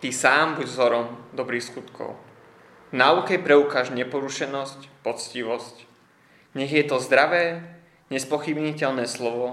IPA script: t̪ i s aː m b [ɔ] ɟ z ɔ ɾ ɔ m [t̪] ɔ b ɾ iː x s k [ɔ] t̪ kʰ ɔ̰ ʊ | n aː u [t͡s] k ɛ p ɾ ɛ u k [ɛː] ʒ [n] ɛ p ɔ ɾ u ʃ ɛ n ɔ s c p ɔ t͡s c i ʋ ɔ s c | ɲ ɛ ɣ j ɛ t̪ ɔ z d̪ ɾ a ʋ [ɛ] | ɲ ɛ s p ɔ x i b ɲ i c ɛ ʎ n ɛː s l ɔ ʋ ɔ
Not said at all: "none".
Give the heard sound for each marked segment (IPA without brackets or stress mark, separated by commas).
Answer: u, d̪, u, none, aː, ɲ, ɛː